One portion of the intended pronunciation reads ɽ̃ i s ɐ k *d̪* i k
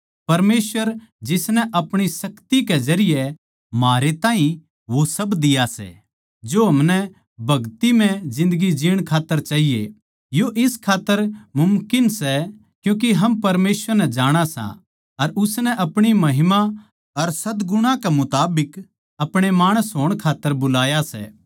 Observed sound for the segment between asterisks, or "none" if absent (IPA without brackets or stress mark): t̪